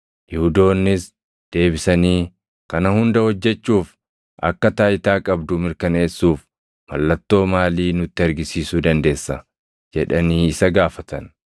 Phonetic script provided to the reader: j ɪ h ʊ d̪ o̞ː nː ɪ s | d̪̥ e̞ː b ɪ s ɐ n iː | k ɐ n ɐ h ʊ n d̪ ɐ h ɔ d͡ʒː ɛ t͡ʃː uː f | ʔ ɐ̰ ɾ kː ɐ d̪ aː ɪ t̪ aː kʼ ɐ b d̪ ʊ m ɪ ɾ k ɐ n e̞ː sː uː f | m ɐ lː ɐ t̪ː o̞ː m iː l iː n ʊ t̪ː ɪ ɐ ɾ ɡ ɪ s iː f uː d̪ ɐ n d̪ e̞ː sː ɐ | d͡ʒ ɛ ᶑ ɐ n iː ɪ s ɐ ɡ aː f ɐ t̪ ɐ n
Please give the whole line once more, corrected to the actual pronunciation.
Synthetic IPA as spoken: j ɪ h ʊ d̪ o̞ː nː ɪ s | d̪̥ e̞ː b ɪ s ɐ n iː | k ɐ n ɐ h ʊ n d̪ ɐ h ɔ d͡ʒː ɛ t͡ʃː uː f | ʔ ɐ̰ kː ɐ t̪ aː ɪ t̪ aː kʼ ɐ b d̪ ʊ m ɪ ɾ k ɐ n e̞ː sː uː f | m ɐ lː ɐ t̪ː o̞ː m aː l iː n ʊ t̪ː ɪ ɐ ɾ ɡ ɪ s iː s uː d̪ ɐ n d̪ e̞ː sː ɐ | d͡ʒ ɛ ᶑ ɐ n iː ɪ s ɐ ɡ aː f ɐ t̪ ɐ n